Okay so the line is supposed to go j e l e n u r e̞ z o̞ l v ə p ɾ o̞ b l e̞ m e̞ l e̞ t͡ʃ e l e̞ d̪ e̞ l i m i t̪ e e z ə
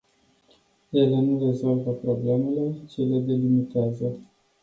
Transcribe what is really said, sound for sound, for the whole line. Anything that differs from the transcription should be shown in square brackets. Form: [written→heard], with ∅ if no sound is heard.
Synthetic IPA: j e l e n u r e̞ z o̞ l v ə p ɾ o̞ b l e̞ m e̞ l e̞ t͡ʃ e l e̞ d̪ e̞ l i m i t̪ e [e→a] z ə